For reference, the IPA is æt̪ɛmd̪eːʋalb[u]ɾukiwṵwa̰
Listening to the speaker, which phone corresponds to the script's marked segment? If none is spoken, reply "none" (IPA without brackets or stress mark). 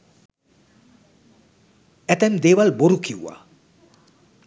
o